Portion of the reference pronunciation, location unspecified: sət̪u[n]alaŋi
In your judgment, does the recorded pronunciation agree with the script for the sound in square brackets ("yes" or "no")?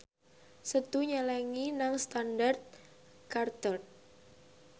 no